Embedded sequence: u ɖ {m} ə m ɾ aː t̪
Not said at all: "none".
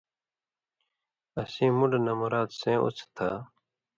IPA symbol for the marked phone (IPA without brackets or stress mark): n